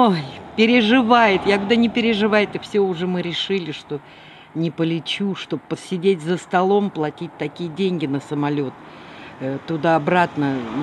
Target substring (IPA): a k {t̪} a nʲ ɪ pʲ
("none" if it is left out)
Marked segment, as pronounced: d̪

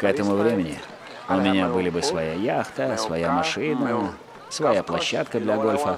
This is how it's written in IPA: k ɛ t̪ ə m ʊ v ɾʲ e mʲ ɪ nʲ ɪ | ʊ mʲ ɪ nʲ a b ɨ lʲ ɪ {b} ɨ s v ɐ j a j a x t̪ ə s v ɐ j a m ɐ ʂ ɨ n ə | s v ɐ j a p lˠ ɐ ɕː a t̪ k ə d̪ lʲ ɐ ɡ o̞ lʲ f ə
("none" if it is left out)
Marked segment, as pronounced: b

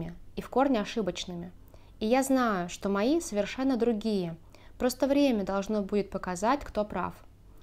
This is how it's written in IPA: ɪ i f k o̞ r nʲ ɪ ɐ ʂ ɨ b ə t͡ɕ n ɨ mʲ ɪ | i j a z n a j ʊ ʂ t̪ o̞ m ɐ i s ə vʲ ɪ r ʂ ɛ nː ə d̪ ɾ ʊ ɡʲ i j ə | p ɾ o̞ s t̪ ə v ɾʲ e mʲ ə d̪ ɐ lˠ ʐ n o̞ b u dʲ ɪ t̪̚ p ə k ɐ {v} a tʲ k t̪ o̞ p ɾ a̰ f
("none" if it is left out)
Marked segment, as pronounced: z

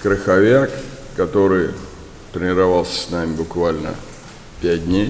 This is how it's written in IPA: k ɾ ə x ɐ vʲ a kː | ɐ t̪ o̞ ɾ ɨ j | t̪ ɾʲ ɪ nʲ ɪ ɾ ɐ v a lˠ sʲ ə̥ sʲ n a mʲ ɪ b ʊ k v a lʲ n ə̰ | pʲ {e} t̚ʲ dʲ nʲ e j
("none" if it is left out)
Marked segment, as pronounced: æ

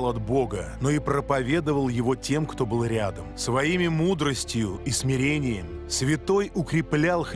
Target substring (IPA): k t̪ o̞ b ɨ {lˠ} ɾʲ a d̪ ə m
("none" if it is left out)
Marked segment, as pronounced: lˠ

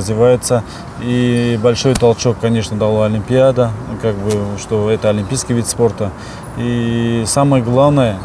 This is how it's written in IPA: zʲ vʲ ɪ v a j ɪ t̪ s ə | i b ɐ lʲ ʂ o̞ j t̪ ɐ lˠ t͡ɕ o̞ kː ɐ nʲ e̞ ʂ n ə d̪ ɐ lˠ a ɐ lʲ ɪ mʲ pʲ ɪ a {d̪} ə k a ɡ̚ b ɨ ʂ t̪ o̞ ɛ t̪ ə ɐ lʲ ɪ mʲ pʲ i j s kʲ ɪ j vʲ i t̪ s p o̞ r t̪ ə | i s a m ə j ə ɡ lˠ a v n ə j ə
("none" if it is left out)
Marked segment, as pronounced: d̪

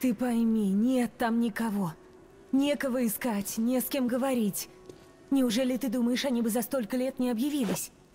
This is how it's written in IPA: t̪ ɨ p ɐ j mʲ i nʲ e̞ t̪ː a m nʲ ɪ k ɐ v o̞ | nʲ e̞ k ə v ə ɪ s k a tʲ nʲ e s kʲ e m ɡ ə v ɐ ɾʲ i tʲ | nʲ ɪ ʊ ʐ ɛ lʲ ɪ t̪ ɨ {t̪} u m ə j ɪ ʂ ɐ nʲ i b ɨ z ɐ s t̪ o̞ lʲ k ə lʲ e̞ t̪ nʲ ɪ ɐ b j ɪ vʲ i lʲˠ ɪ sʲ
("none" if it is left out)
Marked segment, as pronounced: d̪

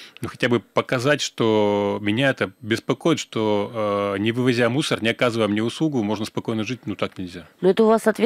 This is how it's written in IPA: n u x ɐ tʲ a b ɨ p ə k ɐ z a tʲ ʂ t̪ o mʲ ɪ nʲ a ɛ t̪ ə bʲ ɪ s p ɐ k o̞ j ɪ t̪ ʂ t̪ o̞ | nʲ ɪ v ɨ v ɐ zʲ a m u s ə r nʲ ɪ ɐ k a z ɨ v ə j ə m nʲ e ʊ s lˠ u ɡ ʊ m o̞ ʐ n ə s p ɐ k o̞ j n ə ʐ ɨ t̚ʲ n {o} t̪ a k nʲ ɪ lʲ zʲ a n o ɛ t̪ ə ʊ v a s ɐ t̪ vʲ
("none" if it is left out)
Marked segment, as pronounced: u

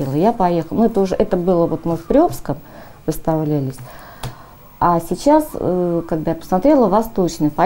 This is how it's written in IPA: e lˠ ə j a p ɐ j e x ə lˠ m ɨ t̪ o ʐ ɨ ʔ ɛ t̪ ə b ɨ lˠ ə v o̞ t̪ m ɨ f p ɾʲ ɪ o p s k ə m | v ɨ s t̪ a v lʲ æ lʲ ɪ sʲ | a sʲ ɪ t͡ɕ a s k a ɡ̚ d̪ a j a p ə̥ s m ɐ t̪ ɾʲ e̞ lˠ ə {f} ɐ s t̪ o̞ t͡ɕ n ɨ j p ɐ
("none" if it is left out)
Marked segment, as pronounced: v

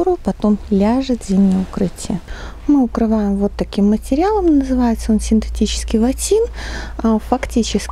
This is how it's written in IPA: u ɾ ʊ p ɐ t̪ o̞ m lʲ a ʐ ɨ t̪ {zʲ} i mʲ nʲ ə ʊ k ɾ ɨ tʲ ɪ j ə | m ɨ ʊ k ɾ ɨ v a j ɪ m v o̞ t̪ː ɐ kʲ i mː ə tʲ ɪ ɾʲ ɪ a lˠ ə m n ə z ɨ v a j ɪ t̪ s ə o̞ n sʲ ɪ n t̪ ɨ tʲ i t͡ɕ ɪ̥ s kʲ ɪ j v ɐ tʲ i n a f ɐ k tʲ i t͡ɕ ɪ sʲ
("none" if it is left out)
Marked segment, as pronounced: zʲ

